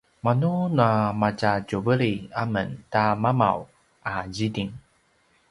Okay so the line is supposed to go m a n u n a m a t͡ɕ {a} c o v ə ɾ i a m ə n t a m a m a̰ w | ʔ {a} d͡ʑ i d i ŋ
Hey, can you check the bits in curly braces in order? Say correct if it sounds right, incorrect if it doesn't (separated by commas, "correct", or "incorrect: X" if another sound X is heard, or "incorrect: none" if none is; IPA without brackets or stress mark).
correct, correct